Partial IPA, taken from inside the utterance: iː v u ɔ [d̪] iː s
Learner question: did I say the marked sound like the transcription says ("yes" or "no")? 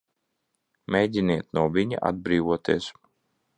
no